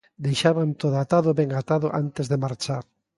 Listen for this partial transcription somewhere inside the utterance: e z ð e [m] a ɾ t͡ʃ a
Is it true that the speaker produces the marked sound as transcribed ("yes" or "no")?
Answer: yes